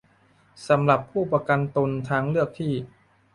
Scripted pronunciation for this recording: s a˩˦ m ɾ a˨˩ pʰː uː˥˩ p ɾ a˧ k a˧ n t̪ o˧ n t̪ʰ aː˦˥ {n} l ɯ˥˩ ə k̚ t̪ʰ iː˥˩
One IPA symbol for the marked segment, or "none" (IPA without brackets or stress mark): ŋ